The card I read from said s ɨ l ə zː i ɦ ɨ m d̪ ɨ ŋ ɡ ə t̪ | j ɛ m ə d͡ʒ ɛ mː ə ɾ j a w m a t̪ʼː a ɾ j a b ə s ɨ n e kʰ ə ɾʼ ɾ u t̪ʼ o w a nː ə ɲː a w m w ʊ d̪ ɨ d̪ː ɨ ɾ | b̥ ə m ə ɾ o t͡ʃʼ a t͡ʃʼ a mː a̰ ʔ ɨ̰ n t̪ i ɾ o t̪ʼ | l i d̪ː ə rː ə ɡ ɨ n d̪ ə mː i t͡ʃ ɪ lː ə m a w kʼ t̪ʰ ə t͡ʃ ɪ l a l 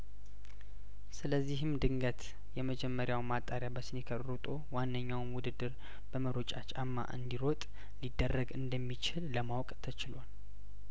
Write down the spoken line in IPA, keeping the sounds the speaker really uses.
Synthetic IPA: s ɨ l ə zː i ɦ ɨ m d̪ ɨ ŋ ɡ ə t̪ | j ɛ m ə d͡ʒ ɛ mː ə ɾ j a w m a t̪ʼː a ɾ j a b ə s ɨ n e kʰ ə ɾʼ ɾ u t̪ʼ o w a nː ə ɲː a w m w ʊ d̪ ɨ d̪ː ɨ ɾ | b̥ ə m ə ɾ o t͡ʃʼ a t͡ʃʼ a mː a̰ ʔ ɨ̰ n d̪ i ɾ o t̪ʼ | l i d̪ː ə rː ə ɡ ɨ n d̪ ə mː i t͡ʃ ɪ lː ə m a w kʼ t̪ʰ ə t͡ʃ ɪ l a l